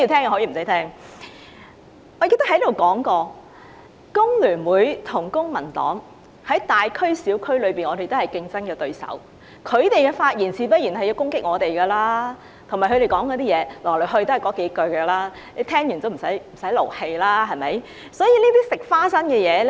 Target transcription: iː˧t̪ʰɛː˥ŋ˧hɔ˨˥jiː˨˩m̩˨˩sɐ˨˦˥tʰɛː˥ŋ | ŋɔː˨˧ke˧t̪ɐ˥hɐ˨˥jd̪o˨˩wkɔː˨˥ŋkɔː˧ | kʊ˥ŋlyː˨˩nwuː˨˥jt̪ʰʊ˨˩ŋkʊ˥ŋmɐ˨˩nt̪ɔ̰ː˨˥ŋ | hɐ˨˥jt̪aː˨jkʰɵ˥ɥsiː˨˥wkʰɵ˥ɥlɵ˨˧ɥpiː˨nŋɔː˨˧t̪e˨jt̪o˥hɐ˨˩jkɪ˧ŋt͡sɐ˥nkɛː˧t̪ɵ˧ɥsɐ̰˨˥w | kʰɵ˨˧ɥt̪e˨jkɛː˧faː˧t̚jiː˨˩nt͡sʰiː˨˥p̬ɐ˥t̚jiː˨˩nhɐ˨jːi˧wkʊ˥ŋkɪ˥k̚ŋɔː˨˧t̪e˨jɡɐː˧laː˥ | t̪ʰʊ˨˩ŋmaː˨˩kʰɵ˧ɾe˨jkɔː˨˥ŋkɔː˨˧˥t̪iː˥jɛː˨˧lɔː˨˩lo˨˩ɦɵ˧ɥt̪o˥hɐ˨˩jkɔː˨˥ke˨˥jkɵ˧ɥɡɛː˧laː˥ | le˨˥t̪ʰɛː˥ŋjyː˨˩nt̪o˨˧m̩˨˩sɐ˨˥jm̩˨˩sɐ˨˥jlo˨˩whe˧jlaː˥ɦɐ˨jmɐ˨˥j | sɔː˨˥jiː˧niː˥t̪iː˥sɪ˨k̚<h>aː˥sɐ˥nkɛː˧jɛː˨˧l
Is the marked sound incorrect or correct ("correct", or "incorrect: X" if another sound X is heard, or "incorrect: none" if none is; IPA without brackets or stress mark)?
incorrect: f